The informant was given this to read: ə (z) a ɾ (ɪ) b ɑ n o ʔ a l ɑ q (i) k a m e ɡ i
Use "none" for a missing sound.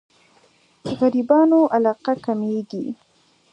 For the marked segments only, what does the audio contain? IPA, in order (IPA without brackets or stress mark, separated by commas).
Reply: ɣ, i, a